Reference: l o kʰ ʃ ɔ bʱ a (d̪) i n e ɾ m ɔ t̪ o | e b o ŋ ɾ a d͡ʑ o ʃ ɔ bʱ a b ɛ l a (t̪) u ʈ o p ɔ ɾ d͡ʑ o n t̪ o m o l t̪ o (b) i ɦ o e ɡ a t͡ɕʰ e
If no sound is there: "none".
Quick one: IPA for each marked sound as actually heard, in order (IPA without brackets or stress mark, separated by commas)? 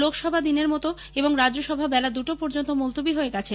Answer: d̪, d̪, b